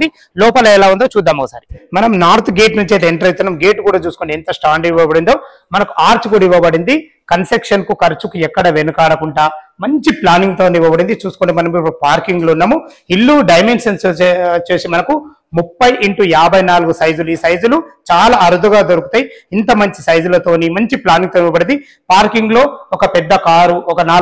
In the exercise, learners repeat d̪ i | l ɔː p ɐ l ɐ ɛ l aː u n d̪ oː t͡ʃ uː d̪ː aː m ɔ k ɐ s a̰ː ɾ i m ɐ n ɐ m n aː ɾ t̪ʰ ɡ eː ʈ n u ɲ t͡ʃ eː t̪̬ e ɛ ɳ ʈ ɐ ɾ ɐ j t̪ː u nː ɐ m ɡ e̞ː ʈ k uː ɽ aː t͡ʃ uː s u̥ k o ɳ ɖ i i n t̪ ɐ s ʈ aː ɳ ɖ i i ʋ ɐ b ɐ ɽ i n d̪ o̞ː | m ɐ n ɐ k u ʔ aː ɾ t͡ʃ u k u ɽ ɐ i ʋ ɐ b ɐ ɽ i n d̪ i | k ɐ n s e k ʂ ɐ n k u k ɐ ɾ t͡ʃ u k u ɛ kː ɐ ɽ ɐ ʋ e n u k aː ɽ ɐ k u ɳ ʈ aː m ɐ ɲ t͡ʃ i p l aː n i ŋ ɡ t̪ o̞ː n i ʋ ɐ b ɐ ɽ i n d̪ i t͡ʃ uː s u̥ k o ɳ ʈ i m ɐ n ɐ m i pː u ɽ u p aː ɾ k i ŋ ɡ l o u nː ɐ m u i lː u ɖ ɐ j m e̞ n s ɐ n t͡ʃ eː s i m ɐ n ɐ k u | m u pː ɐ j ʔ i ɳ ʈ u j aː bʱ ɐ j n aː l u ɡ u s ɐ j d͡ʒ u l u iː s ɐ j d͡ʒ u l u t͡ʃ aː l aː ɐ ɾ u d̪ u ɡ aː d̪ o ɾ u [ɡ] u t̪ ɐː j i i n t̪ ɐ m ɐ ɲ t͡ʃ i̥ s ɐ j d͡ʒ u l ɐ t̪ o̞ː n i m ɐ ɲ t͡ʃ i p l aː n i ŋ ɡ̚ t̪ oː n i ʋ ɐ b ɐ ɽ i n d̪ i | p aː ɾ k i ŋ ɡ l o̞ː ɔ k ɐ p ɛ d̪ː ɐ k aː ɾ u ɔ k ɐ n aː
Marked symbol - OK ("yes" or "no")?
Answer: no